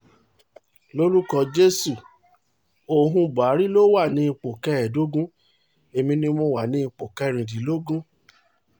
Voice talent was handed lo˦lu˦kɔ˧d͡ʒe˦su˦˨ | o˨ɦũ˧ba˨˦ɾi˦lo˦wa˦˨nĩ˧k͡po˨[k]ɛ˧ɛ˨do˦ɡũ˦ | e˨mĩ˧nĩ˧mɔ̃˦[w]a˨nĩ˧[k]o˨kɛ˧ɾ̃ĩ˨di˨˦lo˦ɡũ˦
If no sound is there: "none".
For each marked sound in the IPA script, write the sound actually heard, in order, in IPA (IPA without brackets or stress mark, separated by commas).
k, w, k͡p